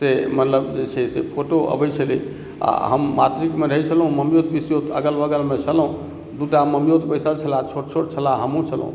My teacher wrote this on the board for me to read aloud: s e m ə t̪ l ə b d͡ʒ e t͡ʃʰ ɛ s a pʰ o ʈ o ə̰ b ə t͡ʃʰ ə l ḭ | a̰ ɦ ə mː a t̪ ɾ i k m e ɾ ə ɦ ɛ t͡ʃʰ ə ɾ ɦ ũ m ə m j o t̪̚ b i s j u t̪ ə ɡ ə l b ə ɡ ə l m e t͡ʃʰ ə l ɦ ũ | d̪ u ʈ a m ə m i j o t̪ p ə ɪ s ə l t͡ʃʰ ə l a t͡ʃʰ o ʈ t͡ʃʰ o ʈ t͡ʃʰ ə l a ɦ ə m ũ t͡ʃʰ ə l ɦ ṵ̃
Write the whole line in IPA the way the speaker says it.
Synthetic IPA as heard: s e m ə t̪ l ə b d͡ʒ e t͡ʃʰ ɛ s e pʰ o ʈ o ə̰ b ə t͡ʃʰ ə l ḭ | a̰ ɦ ə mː a t̪ ɾ i k m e ɾ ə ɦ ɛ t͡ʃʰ ə l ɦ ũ m ə m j o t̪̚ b i s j o t̪ ə ɡ ə l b ə ɡ ə l m e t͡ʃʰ ə l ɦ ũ | d̪ u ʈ a m ə m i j o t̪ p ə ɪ s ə l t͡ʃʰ ə l a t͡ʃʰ o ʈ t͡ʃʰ o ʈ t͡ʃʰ ə l a ɦ ə m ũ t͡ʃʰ ə l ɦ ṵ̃